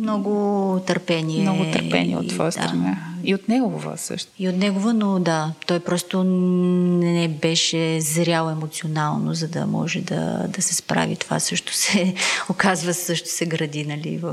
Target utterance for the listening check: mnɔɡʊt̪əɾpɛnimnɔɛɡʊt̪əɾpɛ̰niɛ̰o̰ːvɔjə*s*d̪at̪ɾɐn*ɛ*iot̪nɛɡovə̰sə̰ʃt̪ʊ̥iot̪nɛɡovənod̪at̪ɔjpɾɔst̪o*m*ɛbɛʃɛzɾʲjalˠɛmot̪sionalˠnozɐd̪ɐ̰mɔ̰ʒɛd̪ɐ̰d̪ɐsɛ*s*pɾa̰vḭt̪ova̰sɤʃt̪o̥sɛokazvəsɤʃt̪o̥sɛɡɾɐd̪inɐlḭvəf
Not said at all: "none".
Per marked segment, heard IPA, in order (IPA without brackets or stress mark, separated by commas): s, a, n, s